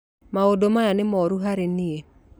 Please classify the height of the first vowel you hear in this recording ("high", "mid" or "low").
low